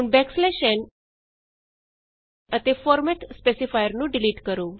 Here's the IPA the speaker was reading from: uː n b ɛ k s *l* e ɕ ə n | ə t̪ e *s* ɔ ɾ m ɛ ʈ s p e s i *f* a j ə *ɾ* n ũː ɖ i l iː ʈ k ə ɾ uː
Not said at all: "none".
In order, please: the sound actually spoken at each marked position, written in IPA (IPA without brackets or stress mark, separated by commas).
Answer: l, f, f, ɾ